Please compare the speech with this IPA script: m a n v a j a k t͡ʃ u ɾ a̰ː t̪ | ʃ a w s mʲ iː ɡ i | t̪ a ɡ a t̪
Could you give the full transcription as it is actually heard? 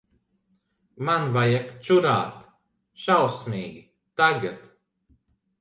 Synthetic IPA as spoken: m a n v a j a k t͡ʃ u ɾ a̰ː t̪ | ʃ a w s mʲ iː ɡ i | t̪ a ɡ a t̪